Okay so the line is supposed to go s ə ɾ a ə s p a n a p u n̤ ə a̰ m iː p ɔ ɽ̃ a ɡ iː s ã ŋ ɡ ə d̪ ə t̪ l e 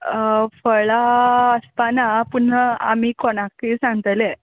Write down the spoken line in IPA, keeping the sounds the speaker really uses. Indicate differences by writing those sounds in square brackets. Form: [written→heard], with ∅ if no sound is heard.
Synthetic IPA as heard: [s→f] ə [ɾ→ɭ] a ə s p a n a p u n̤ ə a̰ m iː [p→k] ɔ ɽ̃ a [ɡ→k] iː s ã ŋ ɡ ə [d̪→t̪] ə [t̪→∅] l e